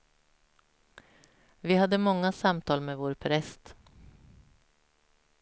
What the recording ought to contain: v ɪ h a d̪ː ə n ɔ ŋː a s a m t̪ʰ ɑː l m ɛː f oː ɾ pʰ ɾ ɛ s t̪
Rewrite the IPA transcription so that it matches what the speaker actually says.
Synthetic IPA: v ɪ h a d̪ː ə m ɔ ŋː a s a m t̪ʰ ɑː l m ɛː v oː ɾ pʰ ɾ ɛ s t̪